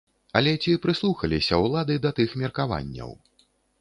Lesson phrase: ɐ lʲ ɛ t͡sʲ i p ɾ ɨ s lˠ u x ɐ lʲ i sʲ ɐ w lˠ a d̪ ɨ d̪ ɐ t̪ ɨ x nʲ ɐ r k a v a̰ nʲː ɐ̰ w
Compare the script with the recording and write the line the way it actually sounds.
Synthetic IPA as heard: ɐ lʲ ɛ t͡sʲ i p ɾ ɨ s lˠ u x ɐ lʲ i sʲ ɐ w lˠ a d̪ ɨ d̪ ɐ t̪ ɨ x mʲ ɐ r k a v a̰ nʲː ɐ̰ w